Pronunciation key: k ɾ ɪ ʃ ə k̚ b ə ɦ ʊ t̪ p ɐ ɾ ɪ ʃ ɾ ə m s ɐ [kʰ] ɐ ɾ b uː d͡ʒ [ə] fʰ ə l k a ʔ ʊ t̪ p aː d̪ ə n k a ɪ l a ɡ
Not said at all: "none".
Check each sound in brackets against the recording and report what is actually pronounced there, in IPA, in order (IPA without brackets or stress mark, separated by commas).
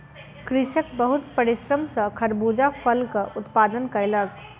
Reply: kʰ, a